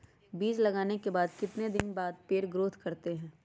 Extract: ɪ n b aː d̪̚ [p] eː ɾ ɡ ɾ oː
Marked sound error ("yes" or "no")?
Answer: no